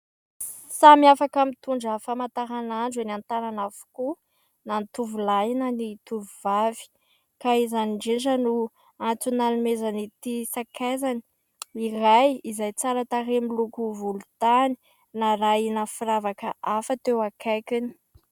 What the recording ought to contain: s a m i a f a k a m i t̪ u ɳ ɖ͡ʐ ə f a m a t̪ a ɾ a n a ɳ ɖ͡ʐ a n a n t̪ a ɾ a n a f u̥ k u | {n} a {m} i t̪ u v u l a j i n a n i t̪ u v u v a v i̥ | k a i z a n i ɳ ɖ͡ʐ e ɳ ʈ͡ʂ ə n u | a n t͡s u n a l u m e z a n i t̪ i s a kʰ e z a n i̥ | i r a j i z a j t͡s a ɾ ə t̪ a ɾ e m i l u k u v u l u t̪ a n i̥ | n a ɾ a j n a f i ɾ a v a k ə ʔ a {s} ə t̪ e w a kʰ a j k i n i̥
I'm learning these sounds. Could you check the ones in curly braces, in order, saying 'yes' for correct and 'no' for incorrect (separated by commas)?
yes, no, no